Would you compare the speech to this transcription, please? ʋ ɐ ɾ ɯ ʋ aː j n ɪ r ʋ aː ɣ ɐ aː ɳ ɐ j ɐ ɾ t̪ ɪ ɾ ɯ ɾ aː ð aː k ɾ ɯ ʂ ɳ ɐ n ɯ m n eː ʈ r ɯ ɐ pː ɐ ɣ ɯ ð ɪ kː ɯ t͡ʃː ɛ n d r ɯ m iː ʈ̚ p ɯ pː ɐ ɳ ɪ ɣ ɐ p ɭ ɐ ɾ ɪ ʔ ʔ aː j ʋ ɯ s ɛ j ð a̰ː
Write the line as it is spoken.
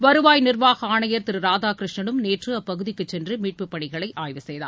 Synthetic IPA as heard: ʋ ɐ ɾ ɯ ʋ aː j n ɪ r ʋ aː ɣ ɐ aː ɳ ɐ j ɐ ɾ t̪ ɪ ɾ ɯ ɾ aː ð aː k ɾ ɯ ʂ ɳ ɐ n ɯ m n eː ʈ r ɯ ɐ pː ɐ ɣ ɯ ð ɪ kː ɯ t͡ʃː ɛ n d r ɯ m iː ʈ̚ p ɯ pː ɐ ɳ ɪ ɣ ɐ ɭ ɐ ɪ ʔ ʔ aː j ʋ ɯ s ɛ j ð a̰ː